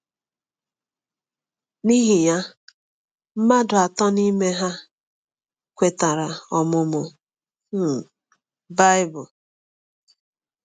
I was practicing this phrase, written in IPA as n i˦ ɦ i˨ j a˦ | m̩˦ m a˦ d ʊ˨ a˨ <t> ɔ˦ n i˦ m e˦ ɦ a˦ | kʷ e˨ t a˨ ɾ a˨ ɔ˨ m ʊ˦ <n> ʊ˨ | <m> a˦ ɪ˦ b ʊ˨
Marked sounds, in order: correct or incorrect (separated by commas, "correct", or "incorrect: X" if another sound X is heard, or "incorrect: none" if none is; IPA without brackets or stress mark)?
correct, incorrect: m, incorrect: b